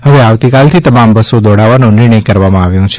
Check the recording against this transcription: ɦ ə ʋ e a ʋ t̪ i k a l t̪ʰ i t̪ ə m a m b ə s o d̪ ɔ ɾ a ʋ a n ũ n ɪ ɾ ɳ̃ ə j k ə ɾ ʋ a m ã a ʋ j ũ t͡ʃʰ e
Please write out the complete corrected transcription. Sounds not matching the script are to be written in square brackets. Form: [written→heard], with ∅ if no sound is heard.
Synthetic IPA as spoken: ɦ ə ʋ e a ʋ t̪ i k a l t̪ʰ i t̪ ə m a m b ə s o d̪ ɔ [ɾ→ɽ] a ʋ a n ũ n ɪ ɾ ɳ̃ ə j k ə ɾ ʋ a m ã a ʋ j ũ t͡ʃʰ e

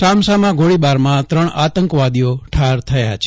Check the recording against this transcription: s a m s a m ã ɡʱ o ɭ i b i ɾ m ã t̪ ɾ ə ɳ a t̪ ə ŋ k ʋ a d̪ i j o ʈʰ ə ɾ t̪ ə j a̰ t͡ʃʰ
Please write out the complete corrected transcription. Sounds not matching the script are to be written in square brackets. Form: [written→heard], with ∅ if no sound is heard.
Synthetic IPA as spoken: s a m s a m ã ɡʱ o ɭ i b [i→a] ɾ m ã t̪ ɾ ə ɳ a t̪ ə ŋ k ʋ a d̪ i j o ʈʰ [ə→a] ɾ [t̪→t̪ʰ] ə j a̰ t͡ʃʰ

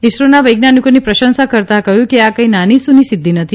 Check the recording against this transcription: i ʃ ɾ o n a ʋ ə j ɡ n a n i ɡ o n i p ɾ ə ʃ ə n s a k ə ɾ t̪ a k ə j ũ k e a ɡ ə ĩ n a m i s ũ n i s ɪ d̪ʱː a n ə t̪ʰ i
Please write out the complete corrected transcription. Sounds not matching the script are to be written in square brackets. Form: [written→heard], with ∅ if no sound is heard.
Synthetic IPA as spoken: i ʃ ɾ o n a ʋ ə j ɡ n a n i [ɡ→k] o n i p ɾ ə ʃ ə n s a k ə ɾ t̪ a k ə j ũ k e a [ɡ→k] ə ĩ n a [m→n] i s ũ n i s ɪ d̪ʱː [a→i] n ə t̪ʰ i

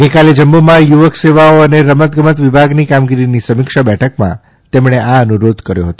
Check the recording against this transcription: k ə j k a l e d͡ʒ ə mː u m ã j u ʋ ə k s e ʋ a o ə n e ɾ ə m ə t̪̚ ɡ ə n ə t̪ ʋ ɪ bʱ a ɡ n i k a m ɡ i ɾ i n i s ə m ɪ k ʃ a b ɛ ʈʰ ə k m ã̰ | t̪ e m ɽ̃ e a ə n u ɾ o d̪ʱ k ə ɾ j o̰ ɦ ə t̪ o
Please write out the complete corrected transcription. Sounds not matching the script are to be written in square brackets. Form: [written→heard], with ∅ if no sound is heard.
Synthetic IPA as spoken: [k→ɡ] ə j k a l e d͡ʒ ə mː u m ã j u ʋ ə k s e ʋ a o ə n e ɾ ə m ə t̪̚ ɡ ə [n→m] ə t̪ ʋ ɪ bʱ a ɡ n i k a m ɡ i ɾ i n i s ə m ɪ k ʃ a b ɛ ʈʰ ə k m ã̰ | t̪ e m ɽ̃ e a ə n u ɾ o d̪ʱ k ə ɾ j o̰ ɦ ə t̪ o

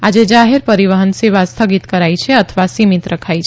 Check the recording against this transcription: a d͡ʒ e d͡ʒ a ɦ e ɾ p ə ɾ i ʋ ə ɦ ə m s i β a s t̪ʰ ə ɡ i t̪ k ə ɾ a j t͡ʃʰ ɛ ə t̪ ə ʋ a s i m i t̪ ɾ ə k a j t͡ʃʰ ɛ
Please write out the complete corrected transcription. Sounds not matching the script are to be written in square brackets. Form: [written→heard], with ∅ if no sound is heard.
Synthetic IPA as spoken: a d͡ʒ e d͡ʒ a ɦ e ɾ p ə ɾ i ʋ ə ɦ ə [m→n] s [i→e] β a s t̪ʰ ə ɡ i t̪ k ə ɾ a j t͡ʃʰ ɛ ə [t̪→t̪ʰ] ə ʋ a s i m i t̪ ɾ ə [k→kʰ] a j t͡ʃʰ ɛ

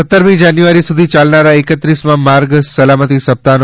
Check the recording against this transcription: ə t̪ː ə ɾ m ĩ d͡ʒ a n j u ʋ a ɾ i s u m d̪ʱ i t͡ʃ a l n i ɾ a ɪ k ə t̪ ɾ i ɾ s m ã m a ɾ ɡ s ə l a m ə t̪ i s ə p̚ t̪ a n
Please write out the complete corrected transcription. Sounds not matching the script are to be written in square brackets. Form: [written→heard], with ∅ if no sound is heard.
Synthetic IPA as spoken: ə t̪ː ə ɾ m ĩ d͡ʒ a n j u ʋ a ɾ i s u [m→∅] d̪ʱ i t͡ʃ a l n [i→a] ɾ a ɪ k ə t̪ ɾ i [ɾ→∅] s m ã m a ɾ ɡ s ə l a m ə t̪ i s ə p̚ t̪ a n

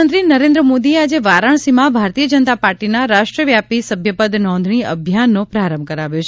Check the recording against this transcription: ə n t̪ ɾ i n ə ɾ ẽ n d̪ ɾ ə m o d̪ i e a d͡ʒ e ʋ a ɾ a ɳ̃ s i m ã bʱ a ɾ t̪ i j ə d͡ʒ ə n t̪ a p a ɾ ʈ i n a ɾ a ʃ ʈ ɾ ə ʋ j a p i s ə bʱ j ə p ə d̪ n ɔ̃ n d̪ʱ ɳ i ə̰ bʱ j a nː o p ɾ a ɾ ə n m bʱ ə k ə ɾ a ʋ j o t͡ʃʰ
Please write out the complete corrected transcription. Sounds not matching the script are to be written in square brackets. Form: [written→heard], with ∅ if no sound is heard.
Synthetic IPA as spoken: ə n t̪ ɾ i n ə ɾ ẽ n d̪ ɾ ə m o d̪ i e a d͡ʒ e ʋ a ɾ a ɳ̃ s i m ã bʱ a ɾ t̪ i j ə d͡ʒ ə n t̪ a p a ɾ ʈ i n a ɾ a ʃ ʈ ɾ ə ʋ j a p i s ə bʱ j ə p ə d̪ n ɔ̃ n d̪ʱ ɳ i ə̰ bʱ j a nː o p ɾ a ɾ ə [n→∅] m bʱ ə k ə ɾ a ʋ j o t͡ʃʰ

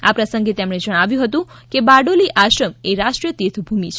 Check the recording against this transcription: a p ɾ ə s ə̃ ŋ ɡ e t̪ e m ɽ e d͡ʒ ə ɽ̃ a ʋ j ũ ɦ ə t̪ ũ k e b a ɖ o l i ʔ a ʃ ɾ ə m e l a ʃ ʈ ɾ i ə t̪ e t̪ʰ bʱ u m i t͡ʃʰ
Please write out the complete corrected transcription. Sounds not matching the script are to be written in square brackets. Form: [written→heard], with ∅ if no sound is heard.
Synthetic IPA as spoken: a p ɾ ə s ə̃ ŋ ɡ e t̪ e m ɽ e d͡ʒ ə ɽ̃ a ʋ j ũ ɦ ə t̪ ũ k e b a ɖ o l i ʔ a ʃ ɾ ə m e [l→ɾ] a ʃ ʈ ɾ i ə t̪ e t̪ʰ bʱ u m i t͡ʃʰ

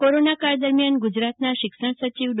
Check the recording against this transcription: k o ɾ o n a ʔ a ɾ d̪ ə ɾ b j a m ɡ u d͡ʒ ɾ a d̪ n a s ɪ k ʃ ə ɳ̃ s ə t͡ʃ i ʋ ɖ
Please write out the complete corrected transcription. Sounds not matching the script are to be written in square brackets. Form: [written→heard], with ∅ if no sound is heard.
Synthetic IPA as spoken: k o ɾ o n a [ʔ→k] a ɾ d̪ ə ɾ [b→m] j a [m→n] ɡ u d͡ʒ ɾ a [d̪→t̪] n a [s→ʃ] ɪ k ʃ ə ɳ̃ s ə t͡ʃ i ʋ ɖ

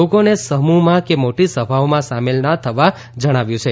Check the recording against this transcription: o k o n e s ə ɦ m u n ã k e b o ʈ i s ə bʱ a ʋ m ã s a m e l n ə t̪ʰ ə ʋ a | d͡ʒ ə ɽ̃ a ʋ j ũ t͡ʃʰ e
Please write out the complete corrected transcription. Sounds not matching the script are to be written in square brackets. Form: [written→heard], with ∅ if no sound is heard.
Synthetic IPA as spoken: o k o n e s ə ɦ m u [n→m] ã k e [b→m] o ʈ i s ə bʱ a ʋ m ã s a m e l n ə t̪ʰ ə ʋ a | d͡ʒ ə ɽ̃ a ʋ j ũ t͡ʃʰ e

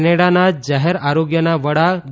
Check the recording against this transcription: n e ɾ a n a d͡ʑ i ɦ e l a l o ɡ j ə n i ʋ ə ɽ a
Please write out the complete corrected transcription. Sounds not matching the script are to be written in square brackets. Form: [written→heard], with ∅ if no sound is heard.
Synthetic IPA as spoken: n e [ɾ→ɽ] a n a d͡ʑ [i→a] ɦ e [l→ɾ] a [l→ɾ] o ɡ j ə n [i→a] ʋ ə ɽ a

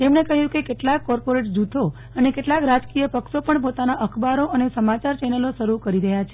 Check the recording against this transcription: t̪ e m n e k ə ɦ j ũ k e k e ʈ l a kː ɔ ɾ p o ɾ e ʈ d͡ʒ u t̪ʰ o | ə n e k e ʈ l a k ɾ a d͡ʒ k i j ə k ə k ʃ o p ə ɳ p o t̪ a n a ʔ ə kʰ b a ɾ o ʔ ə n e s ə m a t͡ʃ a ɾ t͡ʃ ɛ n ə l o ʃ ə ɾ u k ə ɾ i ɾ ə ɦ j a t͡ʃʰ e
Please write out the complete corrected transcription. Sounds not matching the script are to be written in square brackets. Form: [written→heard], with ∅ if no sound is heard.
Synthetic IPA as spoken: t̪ e m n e k ə ɦ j ũ k e k e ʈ l a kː ɔ ɾ p o ɾ e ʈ d͡ʒ u t̪ʰ o | ə n e k e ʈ l a k ɾ a d͡ʒ k i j ə [k→p] ə k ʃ o p ə ɳ p o t̪ a n a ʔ ə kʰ b a ɾ o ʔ ə n e s ə m a t͡ʃ a ɾ t͡ʃ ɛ n ə l o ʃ ə ɾ u k ə ɾ i ɾ ə ɦ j a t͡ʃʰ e

